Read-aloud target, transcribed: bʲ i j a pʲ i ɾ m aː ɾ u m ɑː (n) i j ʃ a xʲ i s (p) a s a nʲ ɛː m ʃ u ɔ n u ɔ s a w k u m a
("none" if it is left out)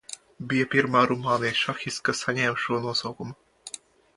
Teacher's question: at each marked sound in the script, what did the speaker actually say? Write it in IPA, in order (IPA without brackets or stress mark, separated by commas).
n, k